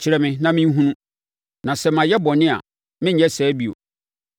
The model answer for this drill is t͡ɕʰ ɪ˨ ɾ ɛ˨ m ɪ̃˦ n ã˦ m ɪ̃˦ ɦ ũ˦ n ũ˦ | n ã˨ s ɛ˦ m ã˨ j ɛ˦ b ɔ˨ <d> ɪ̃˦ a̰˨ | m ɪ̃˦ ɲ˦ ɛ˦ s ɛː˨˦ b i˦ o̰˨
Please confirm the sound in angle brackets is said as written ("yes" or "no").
no